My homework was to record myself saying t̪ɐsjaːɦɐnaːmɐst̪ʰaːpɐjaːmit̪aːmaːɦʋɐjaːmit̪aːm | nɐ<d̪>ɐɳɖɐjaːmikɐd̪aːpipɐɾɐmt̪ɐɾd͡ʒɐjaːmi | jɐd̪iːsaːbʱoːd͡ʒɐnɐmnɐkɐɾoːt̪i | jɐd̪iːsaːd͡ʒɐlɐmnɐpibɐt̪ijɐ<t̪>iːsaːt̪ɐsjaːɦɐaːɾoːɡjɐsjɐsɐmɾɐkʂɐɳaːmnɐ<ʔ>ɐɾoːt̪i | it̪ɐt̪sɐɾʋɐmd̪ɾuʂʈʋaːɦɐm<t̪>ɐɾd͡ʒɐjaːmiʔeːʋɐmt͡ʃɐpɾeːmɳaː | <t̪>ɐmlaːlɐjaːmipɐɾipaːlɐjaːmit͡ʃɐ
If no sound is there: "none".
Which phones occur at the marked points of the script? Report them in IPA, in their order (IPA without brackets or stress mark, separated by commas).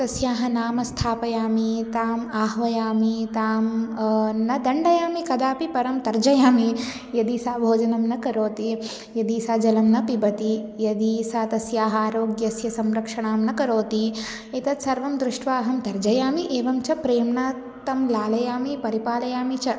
d̪, d̪, k, t̪, t̪